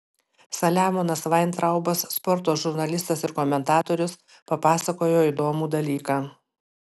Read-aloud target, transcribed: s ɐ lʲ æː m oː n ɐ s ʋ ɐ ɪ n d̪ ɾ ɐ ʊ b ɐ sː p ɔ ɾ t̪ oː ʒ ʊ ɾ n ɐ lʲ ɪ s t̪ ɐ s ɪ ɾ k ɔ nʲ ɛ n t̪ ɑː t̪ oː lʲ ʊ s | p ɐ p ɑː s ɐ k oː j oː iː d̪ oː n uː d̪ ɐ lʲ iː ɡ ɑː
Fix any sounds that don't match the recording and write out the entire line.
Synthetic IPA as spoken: s ɐ lʲ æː m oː n ɐ s ʋ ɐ ɪ n t̪ ɾ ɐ ʊ b ɐ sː p ɔ ɾ t̪ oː ʒ ʊ ɾ n ɐ lʲ ɪ s t̪ ɐ s ɪ ɾ k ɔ mʲ ɛ n t̪ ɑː t̪ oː ɾʲ ʊ s | p ɐ p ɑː s ɐ k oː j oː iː d̪ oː m uː d̪ ɐ lʲ iː k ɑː